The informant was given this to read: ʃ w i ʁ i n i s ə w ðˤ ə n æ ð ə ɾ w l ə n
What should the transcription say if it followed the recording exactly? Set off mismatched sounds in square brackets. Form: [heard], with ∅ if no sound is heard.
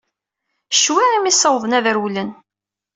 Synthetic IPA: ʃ w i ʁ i [m] i s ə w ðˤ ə n æ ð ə ɾ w l ə n